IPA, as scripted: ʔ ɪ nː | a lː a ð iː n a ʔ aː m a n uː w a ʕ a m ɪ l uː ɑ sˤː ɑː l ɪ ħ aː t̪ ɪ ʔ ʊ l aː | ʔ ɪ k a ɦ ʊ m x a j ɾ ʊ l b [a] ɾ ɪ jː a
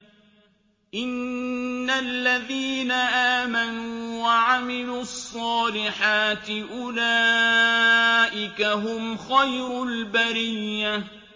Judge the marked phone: correct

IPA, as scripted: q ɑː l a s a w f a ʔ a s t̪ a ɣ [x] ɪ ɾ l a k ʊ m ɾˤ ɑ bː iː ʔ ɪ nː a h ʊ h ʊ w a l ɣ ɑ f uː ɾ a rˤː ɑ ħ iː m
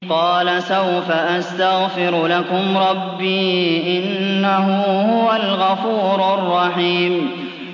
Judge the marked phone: incorrect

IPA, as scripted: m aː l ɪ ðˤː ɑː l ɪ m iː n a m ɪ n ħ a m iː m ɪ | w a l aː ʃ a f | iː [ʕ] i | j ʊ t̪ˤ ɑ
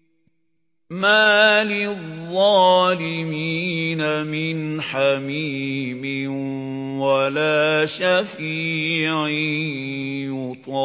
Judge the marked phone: correct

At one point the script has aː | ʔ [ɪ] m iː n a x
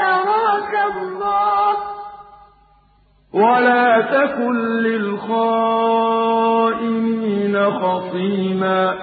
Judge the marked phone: correct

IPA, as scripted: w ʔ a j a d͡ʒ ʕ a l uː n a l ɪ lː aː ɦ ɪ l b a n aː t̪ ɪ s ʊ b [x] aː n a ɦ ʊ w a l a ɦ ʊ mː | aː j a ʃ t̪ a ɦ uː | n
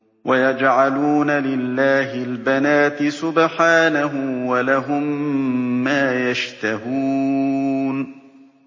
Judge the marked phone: incorrect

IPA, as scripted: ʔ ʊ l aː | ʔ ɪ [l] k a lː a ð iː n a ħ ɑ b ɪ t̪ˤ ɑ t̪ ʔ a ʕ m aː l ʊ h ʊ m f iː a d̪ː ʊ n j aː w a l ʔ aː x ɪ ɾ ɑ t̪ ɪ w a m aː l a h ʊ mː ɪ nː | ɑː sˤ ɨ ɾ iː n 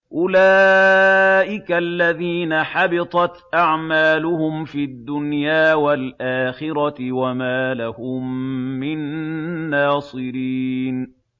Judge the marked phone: incorrect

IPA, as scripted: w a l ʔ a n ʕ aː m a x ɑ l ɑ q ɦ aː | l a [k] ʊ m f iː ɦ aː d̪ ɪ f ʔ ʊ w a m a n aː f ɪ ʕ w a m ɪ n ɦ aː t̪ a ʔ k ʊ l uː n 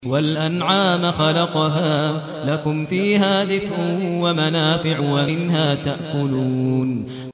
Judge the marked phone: correct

